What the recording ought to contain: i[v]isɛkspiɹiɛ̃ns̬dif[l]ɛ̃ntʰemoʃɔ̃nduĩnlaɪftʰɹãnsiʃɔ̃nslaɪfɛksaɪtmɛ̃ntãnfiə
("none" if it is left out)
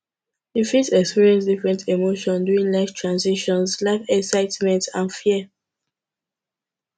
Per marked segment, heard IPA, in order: f, ɹ

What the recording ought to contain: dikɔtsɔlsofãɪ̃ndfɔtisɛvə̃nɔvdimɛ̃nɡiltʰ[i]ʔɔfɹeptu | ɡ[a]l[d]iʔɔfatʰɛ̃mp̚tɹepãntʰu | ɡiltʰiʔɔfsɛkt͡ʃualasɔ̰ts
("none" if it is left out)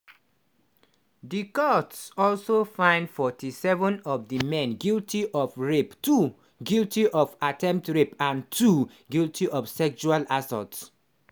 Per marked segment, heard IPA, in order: i, i, t

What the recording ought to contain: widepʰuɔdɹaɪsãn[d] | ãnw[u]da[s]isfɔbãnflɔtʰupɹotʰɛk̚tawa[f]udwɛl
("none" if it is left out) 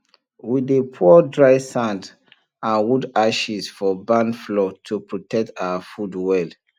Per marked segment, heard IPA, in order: d, u, ʃ, f

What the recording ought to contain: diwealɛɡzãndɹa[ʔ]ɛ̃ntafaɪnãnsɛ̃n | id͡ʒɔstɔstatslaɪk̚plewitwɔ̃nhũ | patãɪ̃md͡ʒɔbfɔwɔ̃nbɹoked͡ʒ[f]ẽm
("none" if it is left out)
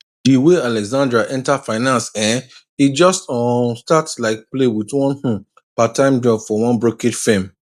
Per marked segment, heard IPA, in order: ʔ, f

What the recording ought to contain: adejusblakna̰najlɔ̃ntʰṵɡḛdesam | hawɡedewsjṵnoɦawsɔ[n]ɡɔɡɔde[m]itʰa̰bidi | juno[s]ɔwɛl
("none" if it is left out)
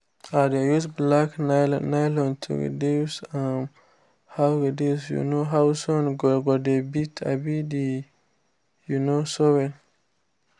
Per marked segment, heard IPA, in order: n, b, s

